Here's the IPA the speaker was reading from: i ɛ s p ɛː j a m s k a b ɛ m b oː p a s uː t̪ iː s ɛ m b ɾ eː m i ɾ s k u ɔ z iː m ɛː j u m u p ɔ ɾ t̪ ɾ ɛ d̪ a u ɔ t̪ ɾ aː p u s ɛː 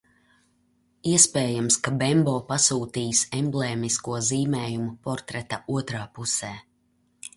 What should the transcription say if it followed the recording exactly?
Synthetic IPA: i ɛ s p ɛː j a m s k a b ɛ m b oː p a s uː t̪ iː s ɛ m b l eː m i s k u ɔ z iː m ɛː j u m u p ɔ ɾ t̪ ɾ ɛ t̪ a u ɔ t̪ ɾ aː p u s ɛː